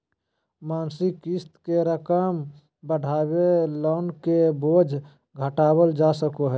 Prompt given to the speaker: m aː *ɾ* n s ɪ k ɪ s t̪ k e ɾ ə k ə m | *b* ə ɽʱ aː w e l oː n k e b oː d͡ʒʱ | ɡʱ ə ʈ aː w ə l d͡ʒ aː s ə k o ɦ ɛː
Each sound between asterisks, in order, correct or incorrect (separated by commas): incorrect, correct